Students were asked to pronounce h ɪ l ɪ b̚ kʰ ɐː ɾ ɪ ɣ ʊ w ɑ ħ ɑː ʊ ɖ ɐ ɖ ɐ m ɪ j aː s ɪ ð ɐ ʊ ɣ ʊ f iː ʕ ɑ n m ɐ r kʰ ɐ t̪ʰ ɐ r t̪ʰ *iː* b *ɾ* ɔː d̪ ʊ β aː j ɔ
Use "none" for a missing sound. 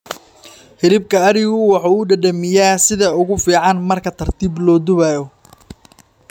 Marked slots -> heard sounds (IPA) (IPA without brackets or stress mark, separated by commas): iː, l